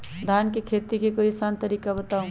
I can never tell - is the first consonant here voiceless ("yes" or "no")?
no